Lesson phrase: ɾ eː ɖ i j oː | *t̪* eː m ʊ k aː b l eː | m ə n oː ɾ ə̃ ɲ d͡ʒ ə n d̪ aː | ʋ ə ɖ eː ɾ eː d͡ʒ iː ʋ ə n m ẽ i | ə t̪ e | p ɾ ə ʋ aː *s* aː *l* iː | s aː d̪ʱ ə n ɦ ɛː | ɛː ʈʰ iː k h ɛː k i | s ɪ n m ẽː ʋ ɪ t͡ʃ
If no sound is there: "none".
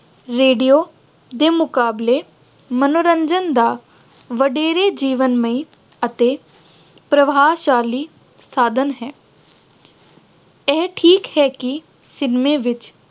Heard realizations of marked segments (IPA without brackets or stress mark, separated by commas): d̪, ʃ, l